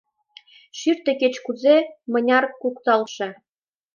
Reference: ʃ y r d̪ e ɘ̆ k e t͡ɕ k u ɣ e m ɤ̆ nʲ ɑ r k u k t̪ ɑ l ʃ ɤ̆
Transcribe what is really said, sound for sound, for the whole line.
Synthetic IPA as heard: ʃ y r t̪ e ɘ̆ k e t͡ɕ k u z e m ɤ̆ nʲ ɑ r k u k t̪ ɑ l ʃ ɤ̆